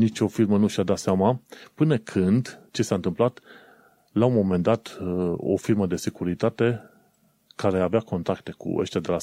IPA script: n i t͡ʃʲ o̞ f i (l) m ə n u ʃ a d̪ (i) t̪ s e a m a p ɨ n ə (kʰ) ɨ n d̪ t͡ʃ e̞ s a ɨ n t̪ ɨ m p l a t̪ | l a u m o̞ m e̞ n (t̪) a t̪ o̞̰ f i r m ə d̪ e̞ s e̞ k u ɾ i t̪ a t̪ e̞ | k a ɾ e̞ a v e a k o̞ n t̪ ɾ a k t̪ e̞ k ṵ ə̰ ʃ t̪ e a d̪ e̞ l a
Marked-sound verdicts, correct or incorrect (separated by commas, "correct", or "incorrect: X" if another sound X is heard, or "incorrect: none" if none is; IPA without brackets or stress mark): incorrect: r, incorrect: a, correct, incorrect: d̪